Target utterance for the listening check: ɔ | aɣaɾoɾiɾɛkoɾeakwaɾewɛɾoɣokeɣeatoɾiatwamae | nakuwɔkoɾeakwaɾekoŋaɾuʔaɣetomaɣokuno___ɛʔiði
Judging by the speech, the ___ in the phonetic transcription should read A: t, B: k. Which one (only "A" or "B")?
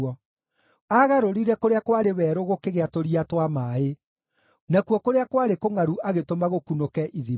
B